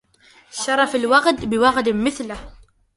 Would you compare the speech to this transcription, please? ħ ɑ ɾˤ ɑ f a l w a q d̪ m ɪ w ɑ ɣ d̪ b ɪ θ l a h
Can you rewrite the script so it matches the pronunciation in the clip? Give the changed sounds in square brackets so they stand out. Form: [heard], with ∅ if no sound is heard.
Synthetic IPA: [ʃ] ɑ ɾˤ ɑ f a l w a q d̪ [b] ɪ w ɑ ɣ d̪ [m] ɪ θ l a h